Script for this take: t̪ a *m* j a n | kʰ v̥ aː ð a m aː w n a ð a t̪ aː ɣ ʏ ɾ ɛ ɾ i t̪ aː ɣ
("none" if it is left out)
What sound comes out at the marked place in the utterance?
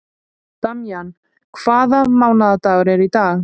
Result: m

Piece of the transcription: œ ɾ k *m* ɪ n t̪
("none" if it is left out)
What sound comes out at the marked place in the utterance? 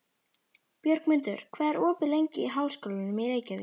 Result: m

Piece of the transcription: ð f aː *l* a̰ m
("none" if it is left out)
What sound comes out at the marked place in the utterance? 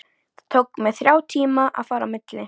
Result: ɾ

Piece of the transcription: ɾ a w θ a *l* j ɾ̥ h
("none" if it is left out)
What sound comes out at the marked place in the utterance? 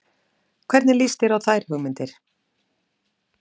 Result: none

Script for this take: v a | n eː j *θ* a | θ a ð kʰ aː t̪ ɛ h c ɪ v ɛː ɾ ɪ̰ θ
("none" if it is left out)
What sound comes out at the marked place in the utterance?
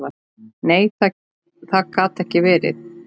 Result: θ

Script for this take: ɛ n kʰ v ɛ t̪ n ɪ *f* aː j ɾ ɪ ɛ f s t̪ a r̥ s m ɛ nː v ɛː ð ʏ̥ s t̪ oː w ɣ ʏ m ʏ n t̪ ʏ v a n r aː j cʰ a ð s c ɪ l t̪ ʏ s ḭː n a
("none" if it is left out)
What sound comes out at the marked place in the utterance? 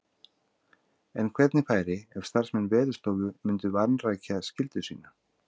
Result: f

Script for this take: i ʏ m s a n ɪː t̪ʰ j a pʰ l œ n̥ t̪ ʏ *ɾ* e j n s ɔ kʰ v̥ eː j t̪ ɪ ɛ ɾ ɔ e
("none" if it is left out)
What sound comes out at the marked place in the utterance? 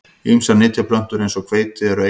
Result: ɾ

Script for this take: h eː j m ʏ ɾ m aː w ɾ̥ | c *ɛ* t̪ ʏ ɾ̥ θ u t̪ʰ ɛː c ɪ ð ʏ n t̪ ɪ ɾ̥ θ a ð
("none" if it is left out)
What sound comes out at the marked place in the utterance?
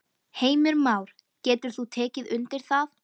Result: ɛː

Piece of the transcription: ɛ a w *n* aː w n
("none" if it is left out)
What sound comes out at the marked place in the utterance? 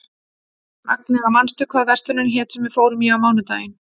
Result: m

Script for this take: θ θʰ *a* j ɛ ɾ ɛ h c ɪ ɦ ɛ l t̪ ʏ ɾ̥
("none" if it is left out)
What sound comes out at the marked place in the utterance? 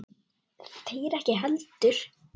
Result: e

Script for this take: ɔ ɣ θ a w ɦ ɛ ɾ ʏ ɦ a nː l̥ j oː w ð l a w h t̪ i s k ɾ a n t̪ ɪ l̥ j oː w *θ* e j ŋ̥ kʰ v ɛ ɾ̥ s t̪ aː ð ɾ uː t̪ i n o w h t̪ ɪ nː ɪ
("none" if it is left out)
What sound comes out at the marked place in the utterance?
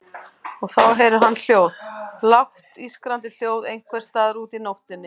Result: ð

